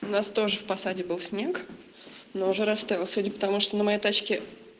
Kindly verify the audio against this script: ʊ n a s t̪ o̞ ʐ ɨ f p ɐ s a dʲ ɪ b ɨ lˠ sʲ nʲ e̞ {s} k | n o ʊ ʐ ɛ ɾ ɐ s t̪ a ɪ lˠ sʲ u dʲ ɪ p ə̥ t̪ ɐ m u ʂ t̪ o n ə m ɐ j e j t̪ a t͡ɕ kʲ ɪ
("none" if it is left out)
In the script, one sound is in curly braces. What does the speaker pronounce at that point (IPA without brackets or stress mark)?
none